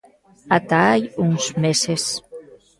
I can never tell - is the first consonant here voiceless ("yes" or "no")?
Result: yes